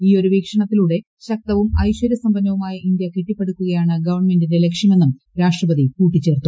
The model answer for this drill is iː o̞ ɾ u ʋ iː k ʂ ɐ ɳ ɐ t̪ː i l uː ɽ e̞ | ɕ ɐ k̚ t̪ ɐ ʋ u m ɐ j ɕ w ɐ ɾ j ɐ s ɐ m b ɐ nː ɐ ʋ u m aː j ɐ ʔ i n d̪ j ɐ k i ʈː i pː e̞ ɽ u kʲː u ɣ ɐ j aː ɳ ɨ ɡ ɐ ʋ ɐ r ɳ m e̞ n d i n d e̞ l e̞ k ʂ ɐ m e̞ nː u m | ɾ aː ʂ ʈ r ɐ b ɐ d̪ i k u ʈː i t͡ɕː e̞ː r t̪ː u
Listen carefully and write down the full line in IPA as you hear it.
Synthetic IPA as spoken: iː o̞ ɾ u ʋ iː k ʂ ɐ ɳ ɐ t̪ː i l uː ɽ e̞ | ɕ ɐ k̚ t̪ ɐ ʋ u m ɐ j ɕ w ɐ ɾ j ɐ s ɐ m b ɐ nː ɐ ʋ u m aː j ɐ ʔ i n d̪ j ɐ k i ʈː i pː e̞ ɽ u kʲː u ɣ ɐ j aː ɳ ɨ ɡ ɐ ʋ ɐ r ɳ m e̞ n d i n d e̞ l e̞ k ʂ ɐ m e̞ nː u m | ɾ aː ʂ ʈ r ɐ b ɐ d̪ i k uː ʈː i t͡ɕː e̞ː r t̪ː u